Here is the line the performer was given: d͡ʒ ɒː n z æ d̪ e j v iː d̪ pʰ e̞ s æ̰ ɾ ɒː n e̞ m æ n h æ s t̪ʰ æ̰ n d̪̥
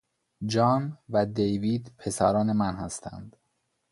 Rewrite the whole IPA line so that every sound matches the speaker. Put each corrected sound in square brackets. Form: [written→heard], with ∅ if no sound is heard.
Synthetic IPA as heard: d͡ʒ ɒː n [z→v] æ d̪ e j v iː d̪ pʰ e̞ s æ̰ ɾ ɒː n e̞ m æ n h æ s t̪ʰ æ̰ n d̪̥